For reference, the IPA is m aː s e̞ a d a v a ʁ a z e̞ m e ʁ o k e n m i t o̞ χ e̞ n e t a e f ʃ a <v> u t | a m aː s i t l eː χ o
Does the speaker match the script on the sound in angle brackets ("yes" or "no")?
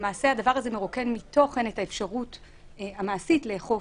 no